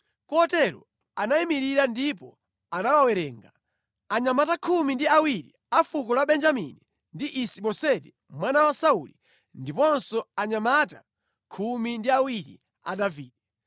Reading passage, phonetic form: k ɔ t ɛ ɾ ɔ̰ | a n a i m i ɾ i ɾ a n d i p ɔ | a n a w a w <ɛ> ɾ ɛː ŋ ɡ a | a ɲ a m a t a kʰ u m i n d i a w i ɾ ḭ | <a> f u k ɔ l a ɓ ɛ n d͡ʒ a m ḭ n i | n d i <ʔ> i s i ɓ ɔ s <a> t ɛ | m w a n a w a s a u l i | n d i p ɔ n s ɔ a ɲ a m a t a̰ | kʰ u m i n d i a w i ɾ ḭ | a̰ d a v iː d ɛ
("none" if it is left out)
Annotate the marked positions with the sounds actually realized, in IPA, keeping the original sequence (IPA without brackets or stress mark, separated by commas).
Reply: ɛ, a, ʔ, ɛ